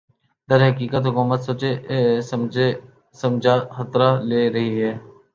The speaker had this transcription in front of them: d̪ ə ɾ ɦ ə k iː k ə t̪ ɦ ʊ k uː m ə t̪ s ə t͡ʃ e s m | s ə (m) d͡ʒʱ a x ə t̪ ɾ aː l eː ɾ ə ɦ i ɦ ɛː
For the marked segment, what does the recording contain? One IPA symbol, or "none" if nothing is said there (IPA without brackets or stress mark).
m